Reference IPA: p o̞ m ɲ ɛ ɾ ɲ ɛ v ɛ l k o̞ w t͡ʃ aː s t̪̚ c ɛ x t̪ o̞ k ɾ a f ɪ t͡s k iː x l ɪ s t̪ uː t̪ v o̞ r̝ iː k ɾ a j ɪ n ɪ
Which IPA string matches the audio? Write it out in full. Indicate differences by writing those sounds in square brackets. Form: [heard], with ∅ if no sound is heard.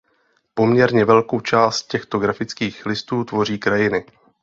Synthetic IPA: p o̞ m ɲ ɛ ɾ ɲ ɛ v ɛ l k o̞ w t͡ʃ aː s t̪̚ c ɛ x t̪ o̞ [ɡ] ɾ a f ɪ t͡s k iː x l ɪ s t̪ uː t̪ v o̞ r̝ iː k ɾ a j ɪ n ɪ